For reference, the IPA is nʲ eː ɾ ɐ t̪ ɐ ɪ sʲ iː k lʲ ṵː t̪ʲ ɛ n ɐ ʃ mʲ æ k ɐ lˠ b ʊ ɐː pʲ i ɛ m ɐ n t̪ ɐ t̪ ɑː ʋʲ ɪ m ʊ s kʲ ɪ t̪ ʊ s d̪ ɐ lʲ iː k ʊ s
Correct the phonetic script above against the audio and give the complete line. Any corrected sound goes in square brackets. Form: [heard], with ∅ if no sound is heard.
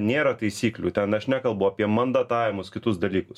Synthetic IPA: nʲ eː ɾ ɐ t̪ ɐ ɪ sʲ iː k lʲ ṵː t̪ʲ ɛ n ɐ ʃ [nʲ] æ k ɐ lˠ b ʊ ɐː pʲ i ɛ m ɐ n [d̪] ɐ t̪ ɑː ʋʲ ɪ m ʊ s kʲ ɪ t̪ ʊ s d̪ ɐ lʲ iː k ʊ s